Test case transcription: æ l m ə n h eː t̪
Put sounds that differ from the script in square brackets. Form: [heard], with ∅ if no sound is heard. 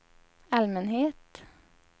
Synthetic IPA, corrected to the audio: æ l m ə n h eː t̪